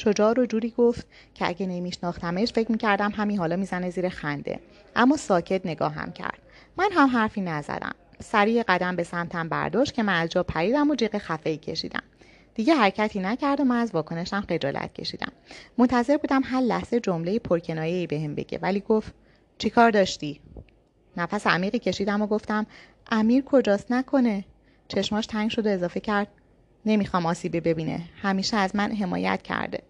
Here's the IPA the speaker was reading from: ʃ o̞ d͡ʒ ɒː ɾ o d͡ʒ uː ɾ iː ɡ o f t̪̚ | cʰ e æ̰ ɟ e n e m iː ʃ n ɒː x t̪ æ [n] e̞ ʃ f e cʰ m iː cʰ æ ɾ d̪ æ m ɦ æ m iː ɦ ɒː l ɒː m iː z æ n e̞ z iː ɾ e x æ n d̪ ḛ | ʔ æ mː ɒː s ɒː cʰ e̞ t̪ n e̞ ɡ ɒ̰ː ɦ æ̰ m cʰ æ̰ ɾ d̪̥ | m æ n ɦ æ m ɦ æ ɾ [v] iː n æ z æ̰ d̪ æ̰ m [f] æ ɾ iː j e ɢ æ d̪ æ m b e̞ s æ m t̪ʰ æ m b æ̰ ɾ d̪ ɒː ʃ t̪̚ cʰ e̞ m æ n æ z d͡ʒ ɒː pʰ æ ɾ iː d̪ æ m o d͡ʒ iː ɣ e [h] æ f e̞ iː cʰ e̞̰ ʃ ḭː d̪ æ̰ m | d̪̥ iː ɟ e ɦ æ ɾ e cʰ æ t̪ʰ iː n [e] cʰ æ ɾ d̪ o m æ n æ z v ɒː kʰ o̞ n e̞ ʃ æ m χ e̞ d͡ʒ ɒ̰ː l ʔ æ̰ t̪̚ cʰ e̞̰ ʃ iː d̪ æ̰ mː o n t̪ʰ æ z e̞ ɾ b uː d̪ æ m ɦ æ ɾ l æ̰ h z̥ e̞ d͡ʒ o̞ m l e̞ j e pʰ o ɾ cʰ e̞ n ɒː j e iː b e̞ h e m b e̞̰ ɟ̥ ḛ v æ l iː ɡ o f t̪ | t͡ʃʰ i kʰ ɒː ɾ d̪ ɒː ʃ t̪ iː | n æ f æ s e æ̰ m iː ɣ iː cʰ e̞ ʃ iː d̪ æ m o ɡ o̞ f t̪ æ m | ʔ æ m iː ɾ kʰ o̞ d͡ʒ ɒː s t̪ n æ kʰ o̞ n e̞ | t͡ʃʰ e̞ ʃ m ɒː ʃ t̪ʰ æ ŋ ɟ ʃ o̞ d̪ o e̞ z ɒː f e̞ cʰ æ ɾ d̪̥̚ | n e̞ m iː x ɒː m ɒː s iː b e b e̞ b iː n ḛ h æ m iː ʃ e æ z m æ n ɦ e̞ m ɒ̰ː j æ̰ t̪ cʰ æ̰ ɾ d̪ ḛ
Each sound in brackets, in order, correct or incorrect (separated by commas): incorrect, incorrect, incorrect, incorrect, incorrect